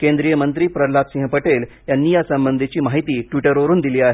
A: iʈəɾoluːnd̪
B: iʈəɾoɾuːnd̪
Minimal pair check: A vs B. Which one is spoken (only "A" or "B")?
B